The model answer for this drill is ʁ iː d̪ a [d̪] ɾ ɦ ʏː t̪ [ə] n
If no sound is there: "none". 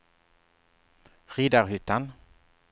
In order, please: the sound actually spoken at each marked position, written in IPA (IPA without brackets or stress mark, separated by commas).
none, a